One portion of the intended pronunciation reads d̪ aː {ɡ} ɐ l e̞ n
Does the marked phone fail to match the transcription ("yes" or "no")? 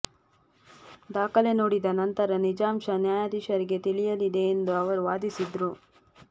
yes